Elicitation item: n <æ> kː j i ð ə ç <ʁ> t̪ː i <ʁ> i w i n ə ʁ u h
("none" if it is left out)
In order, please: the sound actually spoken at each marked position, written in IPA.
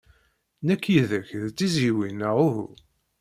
æ, ð, z

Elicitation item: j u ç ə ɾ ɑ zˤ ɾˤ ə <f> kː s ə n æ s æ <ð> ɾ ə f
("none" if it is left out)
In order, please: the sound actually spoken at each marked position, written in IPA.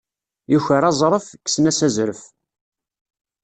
f, z

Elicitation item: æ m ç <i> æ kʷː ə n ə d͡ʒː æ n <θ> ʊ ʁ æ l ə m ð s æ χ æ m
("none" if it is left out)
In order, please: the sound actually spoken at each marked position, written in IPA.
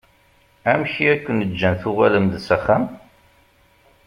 i, θ

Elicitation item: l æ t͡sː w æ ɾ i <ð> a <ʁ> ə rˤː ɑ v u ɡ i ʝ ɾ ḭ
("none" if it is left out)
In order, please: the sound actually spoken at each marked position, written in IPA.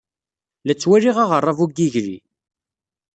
ʁ, ʁ

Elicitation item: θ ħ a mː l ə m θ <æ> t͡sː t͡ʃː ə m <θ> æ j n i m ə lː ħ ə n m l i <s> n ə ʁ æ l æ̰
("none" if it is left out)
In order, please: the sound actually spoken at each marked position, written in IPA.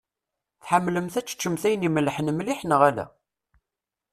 æ, θ, ħ

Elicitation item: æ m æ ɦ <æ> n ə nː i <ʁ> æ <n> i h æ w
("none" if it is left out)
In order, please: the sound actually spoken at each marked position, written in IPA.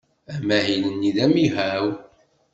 i, ð, m

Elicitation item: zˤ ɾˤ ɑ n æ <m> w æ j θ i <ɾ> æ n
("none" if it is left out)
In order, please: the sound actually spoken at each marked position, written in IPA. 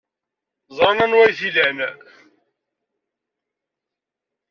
n, l

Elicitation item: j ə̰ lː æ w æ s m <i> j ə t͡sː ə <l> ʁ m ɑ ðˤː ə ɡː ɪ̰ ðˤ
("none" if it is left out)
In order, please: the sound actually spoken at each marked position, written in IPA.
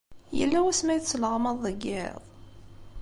æ, l

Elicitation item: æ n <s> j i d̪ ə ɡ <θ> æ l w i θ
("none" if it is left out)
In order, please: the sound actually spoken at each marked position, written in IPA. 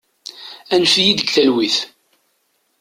f, θ

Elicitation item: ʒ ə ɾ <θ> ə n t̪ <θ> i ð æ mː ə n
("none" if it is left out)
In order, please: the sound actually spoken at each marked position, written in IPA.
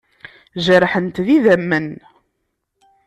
ħ, ð

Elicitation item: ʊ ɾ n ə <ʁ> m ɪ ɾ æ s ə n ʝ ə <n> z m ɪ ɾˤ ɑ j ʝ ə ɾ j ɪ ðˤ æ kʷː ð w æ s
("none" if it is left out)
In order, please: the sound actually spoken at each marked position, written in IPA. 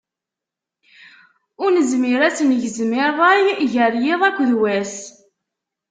z, none

